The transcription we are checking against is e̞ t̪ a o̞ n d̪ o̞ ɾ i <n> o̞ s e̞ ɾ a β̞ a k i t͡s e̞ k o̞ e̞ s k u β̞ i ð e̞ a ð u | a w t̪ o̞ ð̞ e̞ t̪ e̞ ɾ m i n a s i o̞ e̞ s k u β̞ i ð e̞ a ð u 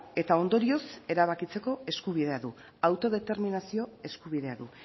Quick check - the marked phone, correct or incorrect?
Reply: incorrect: none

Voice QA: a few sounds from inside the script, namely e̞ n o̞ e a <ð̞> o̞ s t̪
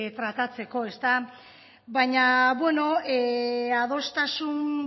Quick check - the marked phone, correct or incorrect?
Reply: correct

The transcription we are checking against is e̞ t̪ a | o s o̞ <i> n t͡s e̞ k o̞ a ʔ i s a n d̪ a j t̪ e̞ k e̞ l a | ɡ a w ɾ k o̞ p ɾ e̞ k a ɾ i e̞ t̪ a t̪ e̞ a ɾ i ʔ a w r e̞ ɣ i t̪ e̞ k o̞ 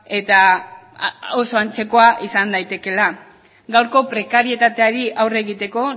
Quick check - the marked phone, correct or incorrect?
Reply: incorrect: a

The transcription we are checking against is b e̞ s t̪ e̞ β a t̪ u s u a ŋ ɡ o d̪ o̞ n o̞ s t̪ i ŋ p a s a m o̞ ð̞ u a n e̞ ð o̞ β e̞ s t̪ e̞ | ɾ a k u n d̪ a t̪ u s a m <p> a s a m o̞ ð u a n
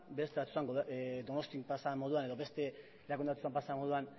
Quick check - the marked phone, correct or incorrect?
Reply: correct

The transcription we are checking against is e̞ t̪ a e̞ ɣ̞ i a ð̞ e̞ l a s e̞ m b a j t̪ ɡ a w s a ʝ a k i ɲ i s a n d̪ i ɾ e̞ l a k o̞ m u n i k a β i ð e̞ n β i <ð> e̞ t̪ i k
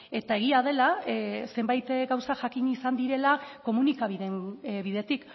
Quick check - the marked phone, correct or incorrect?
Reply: correct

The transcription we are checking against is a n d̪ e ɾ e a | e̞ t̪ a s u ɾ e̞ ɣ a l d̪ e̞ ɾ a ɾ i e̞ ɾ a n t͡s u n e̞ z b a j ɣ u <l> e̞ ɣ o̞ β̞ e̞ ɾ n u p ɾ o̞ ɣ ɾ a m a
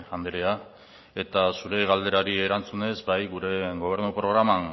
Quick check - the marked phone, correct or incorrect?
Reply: incorrect: ɾ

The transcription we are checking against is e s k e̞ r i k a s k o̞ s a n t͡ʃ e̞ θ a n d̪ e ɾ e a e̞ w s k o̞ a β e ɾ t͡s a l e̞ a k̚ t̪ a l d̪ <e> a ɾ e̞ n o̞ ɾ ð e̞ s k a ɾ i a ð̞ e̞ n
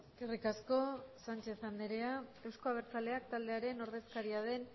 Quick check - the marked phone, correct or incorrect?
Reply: correct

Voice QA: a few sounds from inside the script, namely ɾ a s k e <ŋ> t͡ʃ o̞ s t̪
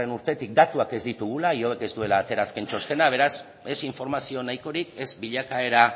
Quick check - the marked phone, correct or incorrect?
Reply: incorrect: n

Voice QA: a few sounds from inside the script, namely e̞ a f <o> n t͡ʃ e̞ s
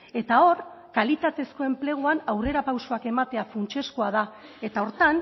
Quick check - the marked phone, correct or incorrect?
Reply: incorrect: u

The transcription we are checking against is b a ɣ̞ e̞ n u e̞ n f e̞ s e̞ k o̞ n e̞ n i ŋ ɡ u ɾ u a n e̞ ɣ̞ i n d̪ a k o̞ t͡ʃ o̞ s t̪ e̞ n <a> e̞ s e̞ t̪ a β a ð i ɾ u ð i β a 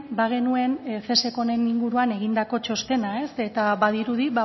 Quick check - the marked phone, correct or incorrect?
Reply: correct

